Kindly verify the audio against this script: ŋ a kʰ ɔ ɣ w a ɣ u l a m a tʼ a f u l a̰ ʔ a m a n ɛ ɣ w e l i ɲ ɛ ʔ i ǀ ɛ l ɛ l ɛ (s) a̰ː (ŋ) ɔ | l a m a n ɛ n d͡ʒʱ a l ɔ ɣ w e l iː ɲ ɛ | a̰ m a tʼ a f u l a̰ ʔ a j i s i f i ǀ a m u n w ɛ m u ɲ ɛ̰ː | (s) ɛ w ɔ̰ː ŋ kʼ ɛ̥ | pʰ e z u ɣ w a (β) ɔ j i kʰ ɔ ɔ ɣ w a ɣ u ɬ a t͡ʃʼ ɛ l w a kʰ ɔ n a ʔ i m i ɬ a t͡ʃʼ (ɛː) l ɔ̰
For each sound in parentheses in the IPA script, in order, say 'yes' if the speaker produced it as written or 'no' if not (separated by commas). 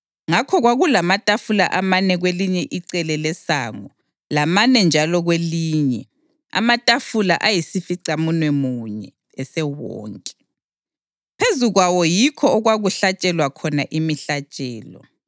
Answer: yes, yes, yes, no, yes